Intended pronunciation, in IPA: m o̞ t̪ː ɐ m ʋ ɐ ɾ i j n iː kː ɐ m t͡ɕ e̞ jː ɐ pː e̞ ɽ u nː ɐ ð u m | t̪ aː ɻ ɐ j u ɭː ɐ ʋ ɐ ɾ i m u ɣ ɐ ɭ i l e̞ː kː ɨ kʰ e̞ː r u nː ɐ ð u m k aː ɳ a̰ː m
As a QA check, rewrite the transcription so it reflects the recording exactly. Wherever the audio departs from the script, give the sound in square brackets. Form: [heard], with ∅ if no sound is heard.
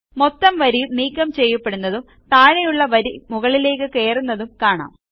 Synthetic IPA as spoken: m o̞ t̪ː ɐ m ʋ ɐ ɾ i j n iː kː ɐ m t͡ɕ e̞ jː ɐ pː e̞ ɽ u nː ɐ ð u m | t̪ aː ɻ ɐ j u ɭː ɐ ʋ ɐ ɾ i m u ɣ ɐ ɭ i l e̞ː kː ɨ [k] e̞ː r u nː ɐ ð u m k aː ɳ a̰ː m